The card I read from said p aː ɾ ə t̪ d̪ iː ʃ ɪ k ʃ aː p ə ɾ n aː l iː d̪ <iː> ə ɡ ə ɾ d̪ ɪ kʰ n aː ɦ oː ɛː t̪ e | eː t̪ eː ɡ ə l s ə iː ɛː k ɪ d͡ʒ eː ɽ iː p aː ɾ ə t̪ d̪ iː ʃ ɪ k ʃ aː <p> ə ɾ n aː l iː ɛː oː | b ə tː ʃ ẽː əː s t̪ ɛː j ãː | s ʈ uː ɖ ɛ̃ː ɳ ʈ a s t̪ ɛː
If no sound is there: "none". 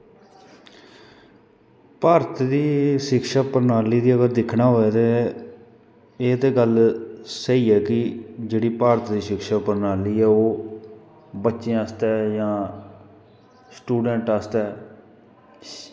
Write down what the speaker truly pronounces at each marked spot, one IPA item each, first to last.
iː, p

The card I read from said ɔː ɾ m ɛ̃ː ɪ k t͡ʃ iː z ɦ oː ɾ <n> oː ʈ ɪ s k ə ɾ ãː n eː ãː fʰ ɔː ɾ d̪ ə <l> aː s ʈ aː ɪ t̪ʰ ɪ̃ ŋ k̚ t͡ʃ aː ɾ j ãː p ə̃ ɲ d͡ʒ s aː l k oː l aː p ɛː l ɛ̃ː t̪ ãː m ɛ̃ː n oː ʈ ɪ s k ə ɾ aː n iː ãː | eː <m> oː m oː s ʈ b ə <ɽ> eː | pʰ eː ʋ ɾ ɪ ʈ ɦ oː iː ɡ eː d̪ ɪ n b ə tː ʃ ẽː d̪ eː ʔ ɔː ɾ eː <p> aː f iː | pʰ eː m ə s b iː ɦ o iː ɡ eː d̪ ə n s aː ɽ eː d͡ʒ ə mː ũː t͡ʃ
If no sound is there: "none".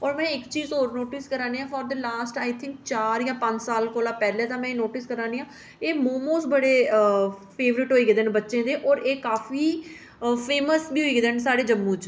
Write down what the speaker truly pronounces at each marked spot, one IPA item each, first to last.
n, l, m, ɽ, k

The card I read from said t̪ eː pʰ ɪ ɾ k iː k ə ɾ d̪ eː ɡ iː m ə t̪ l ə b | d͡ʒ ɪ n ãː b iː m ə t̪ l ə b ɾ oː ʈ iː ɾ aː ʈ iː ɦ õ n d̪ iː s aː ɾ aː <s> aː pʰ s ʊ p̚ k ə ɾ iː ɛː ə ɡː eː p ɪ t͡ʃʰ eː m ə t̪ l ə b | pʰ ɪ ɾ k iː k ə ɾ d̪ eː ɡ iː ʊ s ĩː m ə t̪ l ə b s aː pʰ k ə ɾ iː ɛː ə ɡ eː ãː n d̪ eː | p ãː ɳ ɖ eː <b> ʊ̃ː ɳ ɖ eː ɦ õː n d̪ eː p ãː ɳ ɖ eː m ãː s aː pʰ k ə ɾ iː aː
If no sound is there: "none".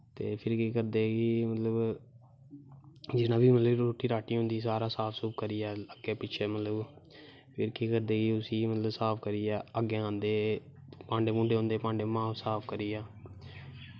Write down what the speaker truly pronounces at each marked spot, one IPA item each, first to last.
s, m

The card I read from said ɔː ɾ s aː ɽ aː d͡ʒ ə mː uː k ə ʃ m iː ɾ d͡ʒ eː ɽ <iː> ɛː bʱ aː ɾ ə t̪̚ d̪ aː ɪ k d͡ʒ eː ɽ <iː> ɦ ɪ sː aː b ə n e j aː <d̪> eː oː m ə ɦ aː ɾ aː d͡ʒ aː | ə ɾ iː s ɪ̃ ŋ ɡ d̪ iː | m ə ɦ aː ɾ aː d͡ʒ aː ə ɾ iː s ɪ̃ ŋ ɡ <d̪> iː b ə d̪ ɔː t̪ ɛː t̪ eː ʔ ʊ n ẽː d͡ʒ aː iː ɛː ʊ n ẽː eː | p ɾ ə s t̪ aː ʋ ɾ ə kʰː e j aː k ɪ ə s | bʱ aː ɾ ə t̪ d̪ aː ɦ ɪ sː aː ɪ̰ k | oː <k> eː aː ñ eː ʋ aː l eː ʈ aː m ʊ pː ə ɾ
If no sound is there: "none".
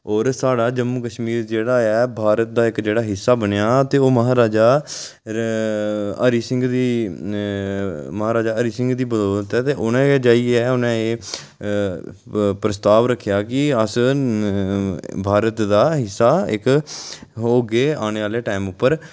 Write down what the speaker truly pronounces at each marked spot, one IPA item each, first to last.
aː, aː, t̪, d̪, ɡ

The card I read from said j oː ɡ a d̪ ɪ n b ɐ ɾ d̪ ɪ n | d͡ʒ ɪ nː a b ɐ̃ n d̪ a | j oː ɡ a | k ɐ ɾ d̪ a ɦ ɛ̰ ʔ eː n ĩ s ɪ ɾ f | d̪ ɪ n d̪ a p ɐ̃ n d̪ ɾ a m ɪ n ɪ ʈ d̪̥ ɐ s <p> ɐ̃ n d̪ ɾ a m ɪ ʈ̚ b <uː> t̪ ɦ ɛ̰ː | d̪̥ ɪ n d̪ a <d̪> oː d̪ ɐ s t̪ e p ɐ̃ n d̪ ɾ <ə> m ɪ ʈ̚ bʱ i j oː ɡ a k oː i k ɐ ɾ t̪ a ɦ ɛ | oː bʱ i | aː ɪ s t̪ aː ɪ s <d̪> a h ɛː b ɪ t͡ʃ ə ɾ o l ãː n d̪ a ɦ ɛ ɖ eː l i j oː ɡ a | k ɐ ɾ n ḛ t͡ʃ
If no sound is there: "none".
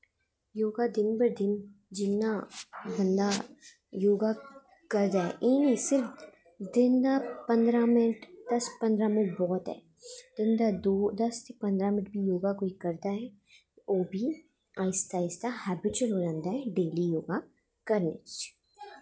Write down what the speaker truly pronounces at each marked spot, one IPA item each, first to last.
p, ɔː, d̪, a, t̪

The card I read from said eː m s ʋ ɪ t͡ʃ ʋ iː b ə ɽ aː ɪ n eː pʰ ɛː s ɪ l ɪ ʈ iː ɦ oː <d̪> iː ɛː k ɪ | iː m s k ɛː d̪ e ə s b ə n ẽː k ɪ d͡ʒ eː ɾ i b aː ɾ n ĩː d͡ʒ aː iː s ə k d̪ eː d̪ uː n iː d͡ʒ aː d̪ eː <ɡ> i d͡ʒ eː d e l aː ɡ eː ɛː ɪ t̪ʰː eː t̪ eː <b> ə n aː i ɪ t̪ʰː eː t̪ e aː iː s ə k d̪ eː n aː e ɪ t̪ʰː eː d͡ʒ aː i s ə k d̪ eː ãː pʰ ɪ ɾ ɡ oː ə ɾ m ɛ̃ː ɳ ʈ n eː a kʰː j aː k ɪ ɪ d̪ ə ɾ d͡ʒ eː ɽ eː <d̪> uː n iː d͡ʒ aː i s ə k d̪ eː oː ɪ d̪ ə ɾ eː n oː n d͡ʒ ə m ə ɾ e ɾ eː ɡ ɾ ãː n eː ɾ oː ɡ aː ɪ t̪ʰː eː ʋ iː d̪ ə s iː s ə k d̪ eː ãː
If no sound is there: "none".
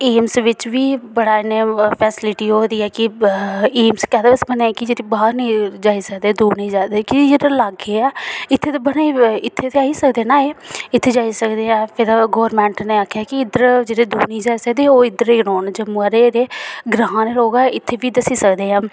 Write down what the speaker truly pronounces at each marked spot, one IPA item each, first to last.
d̪, k, b, d̪

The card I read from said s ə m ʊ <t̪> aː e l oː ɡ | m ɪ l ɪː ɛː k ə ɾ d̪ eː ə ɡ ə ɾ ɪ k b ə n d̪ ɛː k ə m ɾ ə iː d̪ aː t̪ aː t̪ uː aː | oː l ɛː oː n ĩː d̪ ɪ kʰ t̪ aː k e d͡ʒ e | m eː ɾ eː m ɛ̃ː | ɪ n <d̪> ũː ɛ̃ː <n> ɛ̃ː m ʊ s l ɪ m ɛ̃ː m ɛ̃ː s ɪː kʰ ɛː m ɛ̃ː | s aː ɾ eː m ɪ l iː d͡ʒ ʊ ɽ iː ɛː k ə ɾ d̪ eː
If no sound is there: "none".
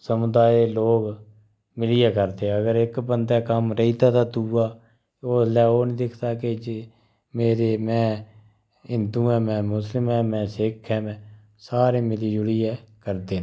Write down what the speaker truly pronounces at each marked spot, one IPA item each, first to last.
d̪, d̪, m

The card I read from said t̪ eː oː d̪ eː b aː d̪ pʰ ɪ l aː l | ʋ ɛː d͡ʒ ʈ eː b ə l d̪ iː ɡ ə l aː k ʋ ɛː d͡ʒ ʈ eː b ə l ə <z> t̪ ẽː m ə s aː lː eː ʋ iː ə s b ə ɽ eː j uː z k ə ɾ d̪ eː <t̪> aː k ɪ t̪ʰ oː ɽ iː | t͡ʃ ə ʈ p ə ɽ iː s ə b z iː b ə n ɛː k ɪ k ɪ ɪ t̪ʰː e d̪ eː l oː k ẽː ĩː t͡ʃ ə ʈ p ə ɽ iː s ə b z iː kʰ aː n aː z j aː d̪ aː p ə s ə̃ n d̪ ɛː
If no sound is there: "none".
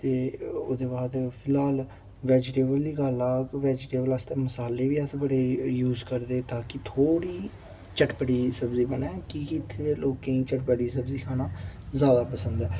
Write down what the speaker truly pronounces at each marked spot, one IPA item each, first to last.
s, t̪

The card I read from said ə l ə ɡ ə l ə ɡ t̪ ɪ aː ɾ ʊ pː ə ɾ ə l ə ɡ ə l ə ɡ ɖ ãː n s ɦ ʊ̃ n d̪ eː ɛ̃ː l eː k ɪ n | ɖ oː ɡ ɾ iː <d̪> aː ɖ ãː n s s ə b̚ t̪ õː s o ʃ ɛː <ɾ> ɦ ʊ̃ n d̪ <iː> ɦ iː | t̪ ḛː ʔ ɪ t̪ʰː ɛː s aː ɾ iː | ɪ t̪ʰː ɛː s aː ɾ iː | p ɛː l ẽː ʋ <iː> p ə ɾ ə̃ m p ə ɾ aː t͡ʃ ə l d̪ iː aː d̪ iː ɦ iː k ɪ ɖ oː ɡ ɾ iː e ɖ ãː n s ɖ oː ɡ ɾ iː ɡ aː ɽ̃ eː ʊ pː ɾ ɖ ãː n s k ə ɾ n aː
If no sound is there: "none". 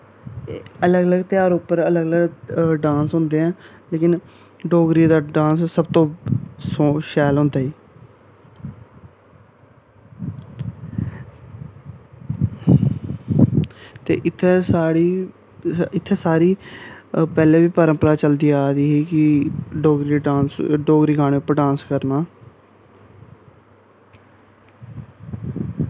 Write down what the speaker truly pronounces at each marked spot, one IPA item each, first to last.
d̪, l, aː, iː

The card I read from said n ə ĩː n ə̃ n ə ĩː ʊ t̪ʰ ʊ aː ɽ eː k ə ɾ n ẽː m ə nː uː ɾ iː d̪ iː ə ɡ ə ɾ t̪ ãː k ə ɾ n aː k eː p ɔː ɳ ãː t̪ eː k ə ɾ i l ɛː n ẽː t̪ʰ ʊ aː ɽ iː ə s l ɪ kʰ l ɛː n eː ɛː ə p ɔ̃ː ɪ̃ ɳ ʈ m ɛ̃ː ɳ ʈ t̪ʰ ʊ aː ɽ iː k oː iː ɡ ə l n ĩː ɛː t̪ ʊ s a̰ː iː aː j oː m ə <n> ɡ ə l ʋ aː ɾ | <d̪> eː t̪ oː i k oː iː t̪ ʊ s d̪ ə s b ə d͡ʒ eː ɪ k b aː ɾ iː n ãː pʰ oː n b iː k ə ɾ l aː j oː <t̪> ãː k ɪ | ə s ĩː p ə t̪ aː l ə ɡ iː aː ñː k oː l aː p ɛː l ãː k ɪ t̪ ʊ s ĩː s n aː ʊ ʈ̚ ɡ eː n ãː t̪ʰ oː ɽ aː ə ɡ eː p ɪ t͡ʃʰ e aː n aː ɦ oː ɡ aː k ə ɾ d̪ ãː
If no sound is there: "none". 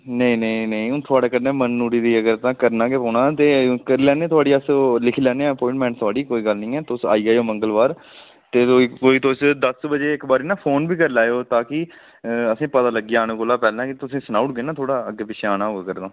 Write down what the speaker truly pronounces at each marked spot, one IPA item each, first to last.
ŋ, t̪, t̪

